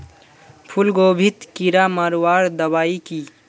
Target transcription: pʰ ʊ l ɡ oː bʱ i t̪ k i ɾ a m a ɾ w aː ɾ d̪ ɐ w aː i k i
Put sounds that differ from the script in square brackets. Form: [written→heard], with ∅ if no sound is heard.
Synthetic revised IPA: pʰ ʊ l ɡ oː bʱ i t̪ k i ɾ a m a ɾ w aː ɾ d̪ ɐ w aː i k i

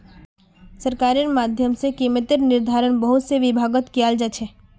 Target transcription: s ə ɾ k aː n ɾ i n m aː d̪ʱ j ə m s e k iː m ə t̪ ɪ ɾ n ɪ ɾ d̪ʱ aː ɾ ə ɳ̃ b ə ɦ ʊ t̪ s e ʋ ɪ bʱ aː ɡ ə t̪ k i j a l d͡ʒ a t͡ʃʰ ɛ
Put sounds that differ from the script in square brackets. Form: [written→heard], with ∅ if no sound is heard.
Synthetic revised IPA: s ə ɾ k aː [n→∅] ɾ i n m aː d̪ʱ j ə m s e k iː m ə t̪ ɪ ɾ n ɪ ɾ d̪ʱ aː ɾ ə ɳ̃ b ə ɦ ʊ t̪ s e ʋ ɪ bʱ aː ɡ ə t̪ k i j a l d͡ʒ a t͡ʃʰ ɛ

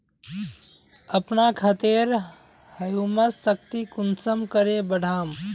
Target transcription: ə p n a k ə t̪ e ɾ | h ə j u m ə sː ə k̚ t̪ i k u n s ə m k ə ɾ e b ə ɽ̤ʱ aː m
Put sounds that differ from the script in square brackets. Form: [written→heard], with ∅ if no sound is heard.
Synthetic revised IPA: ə p n a [k→kʰ] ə t̪ e ɾ | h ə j u m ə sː ə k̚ t̪ i k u n s ə m k ə ɾ e b ə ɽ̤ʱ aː m

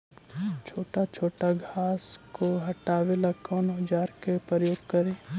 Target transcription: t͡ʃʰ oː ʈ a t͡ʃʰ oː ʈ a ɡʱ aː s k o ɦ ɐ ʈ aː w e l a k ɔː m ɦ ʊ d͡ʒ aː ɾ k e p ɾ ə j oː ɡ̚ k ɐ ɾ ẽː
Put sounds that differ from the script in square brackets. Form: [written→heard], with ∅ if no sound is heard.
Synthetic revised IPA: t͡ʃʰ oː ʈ a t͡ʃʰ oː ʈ a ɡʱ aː s k o ɦ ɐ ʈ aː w e l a k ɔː [m→n] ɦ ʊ d͡ʒ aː ɾ k e p ɾ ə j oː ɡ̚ k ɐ ɾ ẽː

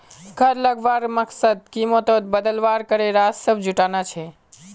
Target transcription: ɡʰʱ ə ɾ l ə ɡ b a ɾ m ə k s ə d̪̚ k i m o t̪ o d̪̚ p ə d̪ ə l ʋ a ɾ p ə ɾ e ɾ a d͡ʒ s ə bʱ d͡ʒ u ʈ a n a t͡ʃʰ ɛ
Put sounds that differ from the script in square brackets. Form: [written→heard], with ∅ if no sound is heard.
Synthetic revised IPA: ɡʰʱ ə ɾ l ə ɡ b a ɾ m ə k s ə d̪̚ k i m o t̪ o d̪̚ [p→b] ə d̪ ə l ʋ a ɾ [p→k] ə ɾ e ɾ a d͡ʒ s ə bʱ d͡ʒ u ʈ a n a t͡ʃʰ ɛ

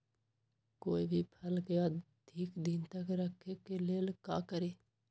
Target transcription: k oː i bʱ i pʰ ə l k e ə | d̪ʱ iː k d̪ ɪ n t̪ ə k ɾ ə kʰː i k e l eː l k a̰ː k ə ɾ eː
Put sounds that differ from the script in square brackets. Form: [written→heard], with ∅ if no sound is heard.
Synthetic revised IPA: k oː i bʱ i pʰ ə l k e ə | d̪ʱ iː k d̪ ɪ n t̪ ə k ɾ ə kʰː [i→e] k e l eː l k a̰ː k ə ɾ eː

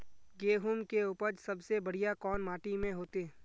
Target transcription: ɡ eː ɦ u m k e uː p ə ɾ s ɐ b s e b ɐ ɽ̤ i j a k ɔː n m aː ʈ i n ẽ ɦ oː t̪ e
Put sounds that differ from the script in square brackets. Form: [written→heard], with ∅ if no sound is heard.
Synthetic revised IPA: ɡ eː ɦ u m k e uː p ə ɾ s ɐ b s e b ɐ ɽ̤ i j a k ɔː n m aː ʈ i [n→m] ẽ ɦ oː t̪ e

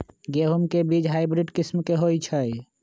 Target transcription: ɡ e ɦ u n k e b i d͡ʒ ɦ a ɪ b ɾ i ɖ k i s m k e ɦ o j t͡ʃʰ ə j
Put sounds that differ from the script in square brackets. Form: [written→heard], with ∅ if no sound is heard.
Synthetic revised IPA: ɡ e ɦ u [n→m] k e b i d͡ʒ ɦ a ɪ b ɾ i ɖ k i s m k e ɦ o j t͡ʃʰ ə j

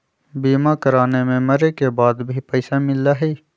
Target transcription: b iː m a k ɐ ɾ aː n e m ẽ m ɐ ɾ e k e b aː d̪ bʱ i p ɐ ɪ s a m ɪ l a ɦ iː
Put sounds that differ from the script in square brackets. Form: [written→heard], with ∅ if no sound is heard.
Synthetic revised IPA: b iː m a k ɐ ɾ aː n e m ẽ m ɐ ɾ e k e b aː d̪ bʱ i p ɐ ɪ s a m ɪ l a ɦ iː

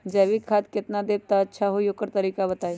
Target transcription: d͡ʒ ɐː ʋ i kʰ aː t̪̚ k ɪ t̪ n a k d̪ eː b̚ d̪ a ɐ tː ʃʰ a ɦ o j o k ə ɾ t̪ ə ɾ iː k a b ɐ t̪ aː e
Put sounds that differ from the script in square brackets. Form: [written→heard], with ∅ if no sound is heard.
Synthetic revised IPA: d͡ʒ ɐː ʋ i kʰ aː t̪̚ k ɪ t̪ n a [k→∅] d̪ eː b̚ [d̪→t̪] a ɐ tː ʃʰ a ɦ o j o k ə ɾ t̪ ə ɾ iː k a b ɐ t̪ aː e

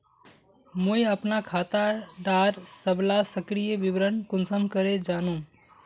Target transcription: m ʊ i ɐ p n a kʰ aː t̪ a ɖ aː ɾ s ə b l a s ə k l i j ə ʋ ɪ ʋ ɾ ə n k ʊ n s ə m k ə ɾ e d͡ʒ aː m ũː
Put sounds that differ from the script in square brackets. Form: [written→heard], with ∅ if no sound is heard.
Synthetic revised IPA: m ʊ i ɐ p n a kʰ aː t̪ a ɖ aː ɾ s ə b l a s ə k [l→ɾ] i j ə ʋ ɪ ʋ ɾ ə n k ʊ n s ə m k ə ɾ e d͡ʒ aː [m→n] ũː

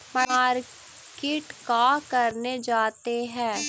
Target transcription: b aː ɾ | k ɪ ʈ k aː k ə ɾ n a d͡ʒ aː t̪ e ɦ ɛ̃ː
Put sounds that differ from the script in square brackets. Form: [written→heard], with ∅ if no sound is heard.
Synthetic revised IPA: [b→m] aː ɾ | k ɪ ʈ k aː k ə ɾ n [a→e] d͡ʒ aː t̪ e ɦ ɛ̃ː

